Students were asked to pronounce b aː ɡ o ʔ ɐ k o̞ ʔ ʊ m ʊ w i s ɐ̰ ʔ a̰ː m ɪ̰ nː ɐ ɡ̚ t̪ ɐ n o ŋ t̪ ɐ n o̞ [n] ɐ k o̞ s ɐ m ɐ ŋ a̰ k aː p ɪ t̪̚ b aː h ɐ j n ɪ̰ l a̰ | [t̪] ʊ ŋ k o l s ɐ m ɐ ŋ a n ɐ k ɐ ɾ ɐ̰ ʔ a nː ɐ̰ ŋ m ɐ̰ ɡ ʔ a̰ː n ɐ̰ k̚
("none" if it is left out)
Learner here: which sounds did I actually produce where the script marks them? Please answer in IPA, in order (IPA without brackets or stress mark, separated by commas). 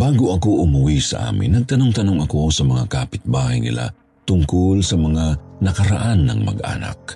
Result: ŋ, t̪